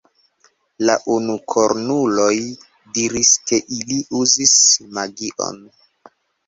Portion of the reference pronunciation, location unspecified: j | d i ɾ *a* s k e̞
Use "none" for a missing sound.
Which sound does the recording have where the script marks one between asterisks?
i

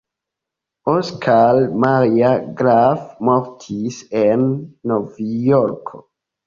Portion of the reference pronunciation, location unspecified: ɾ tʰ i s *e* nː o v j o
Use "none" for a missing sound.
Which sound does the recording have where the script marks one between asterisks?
e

